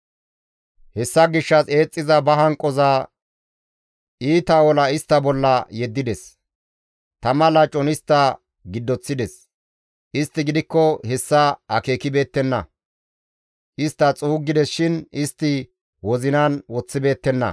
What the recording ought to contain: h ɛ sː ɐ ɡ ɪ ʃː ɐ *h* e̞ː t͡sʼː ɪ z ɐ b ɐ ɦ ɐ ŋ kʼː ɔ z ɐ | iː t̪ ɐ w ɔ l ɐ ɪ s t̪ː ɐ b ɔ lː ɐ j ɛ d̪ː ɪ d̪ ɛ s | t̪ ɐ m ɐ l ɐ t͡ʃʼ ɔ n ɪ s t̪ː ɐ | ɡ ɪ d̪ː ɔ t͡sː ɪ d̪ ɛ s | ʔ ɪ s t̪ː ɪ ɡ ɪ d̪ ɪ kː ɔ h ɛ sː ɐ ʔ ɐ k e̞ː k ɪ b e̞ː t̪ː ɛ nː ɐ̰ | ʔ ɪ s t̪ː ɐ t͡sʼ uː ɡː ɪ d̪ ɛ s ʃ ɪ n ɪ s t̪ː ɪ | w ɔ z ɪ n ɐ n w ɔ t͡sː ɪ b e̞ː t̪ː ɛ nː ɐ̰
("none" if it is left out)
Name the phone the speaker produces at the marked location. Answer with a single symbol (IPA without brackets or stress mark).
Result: s